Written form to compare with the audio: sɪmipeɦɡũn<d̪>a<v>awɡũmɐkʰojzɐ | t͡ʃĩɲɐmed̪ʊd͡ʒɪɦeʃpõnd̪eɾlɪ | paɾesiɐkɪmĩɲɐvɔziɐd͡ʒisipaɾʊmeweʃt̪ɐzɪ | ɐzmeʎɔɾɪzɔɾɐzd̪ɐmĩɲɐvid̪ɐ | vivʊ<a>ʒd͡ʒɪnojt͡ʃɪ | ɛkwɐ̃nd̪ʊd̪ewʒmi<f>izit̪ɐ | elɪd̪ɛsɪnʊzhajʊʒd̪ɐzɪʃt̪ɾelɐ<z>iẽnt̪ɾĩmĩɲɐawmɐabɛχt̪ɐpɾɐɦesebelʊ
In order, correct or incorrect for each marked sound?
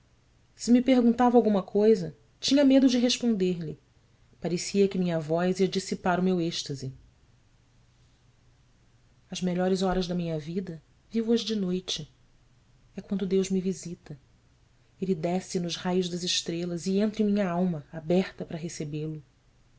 incorrect: t̪, correct, incorrect: ɐ, incorrect: v, correct

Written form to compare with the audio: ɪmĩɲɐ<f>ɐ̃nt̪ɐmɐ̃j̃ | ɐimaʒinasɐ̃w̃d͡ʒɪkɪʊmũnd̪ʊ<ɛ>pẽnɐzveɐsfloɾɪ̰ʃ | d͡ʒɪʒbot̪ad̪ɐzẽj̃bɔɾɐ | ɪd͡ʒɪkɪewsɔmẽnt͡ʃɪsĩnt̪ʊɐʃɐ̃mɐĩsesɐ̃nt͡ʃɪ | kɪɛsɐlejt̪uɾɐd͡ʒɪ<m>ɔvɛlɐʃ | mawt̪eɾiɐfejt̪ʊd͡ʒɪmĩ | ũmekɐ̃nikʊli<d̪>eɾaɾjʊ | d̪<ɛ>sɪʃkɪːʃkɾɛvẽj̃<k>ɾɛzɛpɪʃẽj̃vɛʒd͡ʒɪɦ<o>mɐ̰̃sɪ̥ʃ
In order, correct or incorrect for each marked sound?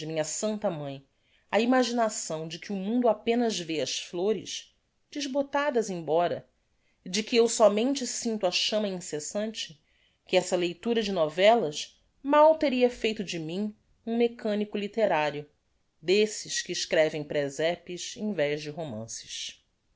incorrect: s, incorrect: a, incorrect: n, incorrect: t̪, incorrect: e, incorrect: p, correct

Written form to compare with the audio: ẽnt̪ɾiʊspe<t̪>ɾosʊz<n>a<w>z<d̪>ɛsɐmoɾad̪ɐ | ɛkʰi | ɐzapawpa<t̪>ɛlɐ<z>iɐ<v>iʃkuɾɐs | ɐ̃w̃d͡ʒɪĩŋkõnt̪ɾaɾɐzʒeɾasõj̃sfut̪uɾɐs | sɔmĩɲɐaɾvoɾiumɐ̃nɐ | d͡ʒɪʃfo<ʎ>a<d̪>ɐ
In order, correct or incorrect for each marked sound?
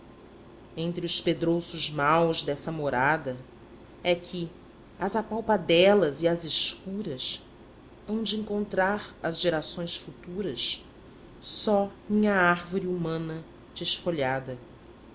incorrect: d̪, incorrect: m, correct, correct, incorrect: d̪, correct, incorrect: z, correct, correct

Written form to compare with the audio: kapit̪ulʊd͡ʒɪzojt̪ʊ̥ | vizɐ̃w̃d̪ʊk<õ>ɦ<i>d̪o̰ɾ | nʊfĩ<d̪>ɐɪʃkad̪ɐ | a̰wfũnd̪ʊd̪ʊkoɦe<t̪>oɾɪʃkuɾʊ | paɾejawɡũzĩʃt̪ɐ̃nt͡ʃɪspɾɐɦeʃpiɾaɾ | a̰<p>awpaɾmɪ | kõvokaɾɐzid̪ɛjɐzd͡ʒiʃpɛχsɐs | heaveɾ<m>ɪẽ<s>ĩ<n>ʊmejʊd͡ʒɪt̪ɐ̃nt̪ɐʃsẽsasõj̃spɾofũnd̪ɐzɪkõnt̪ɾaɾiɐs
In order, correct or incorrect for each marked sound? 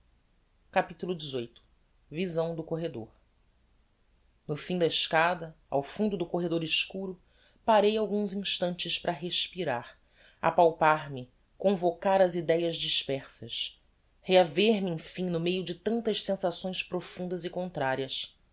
incorrect: o, incorrect: e, correct, incorrect: d̪, correct, correct, incorrect: f, correct

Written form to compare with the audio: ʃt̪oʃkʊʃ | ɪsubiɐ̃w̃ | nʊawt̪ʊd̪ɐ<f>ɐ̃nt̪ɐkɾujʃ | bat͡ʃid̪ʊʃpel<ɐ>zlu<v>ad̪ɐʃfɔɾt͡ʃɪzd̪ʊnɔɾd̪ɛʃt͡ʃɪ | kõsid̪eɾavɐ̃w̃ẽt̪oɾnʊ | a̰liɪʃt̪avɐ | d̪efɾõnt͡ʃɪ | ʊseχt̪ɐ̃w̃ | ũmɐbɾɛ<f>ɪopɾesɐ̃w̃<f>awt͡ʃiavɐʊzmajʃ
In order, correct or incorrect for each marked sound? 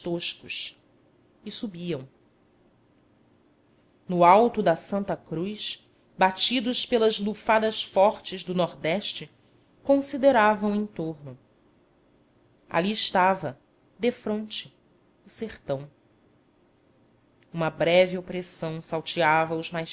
incorrect: s, correct, incorrect: f, incorrect: v, incorrect: s

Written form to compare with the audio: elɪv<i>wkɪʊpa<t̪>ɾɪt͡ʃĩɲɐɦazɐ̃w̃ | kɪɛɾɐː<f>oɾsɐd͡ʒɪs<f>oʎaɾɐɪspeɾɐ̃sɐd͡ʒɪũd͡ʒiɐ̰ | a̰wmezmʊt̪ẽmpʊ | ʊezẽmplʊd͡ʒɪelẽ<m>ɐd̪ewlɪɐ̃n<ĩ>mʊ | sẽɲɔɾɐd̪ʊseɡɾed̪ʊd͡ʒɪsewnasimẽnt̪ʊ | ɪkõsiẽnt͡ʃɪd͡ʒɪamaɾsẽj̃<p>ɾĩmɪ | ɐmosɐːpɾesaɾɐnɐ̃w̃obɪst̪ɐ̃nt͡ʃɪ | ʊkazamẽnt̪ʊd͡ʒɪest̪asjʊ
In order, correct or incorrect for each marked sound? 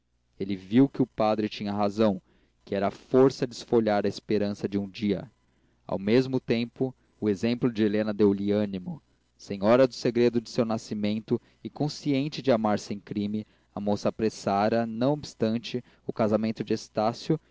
correct, incorrect: d̪, correct, correct, incorrect: n, incorrect: i, incorrect: k

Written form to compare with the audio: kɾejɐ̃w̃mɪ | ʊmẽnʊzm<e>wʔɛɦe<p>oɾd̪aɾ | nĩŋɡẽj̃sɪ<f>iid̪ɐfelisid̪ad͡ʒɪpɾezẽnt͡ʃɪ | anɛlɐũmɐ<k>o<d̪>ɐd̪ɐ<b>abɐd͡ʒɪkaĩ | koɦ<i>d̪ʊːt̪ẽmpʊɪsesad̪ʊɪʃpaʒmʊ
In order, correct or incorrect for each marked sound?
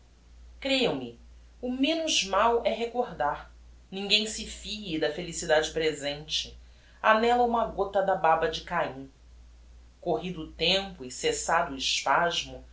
incorrect: a, incorrect: k, correct, incorrect: ɡ, incorrect: t̪, correct, correct

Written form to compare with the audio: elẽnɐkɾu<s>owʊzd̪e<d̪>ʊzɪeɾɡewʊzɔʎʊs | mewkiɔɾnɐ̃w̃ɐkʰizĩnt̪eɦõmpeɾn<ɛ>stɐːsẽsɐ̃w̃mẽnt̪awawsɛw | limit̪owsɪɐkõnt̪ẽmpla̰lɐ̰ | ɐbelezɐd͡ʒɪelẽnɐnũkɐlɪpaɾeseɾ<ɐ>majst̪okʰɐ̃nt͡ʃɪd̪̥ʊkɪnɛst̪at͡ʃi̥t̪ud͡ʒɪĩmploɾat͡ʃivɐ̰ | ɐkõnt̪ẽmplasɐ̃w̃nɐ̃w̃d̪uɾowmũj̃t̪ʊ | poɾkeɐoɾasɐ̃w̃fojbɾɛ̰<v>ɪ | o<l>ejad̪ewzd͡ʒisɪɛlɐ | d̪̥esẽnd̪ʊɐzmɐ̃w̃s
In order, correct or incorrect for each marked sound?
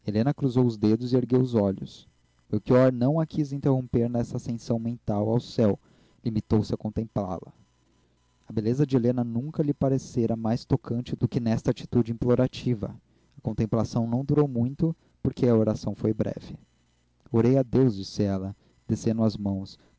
incorrect: z, correct, correct, correct, correct, incorrect: ɾ

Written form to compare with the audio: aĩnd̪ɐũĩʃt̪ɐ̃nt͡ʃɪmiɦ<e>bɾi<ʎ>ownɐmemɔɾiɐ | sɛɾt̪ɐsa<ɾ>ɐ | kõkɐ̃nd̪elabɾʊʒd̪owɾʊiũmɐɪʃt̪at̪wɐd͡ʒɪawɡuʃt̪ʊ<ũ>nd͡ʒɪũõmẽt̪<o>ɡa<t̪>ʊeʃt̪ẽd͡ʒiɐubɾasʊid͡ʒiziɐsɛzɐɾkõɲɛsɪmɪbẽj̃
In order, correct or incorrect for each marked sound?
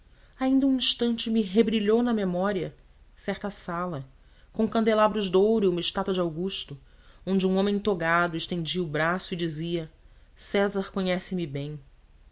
correct, correct, incorrect: l, incorrect: õ, correct, incorrect: d̪

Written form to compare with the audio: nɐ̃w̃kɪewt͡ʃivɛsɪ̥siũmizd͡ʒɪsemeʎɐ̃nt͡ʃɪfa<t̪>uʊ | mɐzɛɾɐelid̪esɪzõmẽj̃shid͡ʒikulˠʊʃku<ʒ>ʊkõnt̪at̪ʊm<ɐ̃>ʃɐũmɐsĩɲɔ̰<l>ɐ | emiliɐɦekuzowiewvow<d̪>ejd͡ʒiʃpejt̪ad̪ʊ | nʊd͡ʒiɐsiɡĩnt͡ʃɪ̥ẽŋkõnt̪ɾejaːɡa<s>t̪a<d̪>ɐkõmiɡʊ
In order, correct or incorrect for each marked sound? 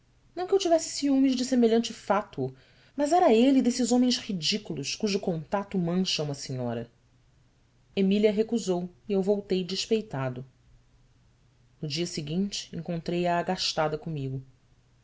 correct, correct, correct, incorrect: ɾ, incorrect: t̪, incorrect: ʃ, correct

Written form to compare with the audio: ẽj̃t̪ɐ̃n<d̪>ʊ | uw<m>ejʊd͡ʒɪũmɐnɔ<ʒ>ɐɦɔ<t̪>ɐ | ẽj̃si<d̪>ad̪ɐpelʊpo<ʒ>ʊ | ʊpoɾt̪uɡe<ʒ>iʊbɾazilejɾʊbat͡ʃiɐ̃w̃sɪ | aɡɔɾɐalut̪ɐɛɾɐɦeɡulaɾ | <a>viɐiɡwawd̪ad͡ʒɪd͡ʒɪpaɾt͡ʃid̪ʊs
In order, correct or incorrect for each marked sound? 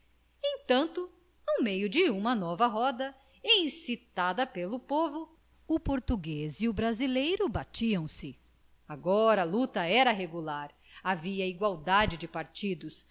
incorrect: t̪, correct, incorrect: v, incorrect: d̪, incorrect: t̪, incorrect: v, incorrect: z, correct

